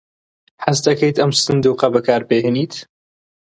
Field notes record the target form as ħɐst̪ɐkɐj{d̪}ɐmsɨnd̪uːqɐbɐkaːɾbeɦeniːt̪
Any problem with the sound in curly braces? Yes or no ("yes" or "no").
yes